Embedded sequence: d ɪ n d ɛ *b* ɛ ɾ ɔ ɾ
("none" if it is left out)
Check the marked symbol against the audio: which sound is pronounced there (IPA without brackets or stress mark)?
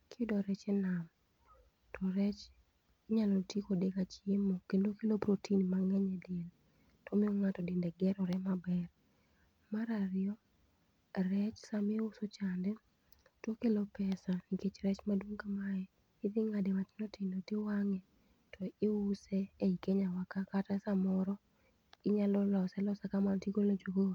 ɡ